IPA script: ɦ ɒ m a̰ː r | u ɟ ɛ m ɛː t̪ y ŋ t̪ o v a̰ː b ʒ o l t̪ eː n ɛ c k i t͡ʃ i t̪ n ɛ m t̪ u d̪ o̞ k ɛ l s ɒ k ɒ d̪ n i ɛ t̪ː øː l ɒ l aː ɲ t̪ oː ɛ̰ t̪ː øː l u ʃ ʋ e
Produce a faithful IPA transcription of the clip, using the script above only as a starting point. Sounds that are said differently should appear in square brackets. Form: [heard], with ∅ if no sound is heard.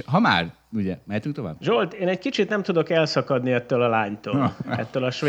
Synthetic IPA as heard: ɦ ɒ m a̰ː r | u ɟ ɛ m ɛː t̪ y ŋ t̪ o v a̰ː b ʒ o l t̪ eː n ɛ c k i t͡ʃ i t̪ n ɛ m t̪ u d̪ o̞ k ɛ l s ɒ k ɒ d̪ n i ɛ t̪ː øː l ɒ l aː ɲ t̪ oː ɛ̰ t̪ː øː l [ɒ] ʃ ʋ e